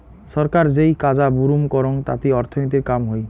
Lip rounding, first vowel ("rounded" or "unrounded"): rounded